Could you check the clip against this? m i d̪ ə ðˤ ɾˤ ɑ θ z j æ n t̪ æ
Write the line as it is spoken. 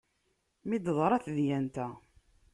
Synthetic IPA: m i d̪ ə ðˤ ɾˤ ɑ θ ð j æ n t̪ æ

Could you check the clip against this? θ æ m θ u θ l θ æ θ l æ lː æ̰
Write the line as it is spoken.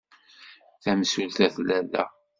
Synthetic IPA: θ æ m s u l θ æ θ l æ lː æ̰

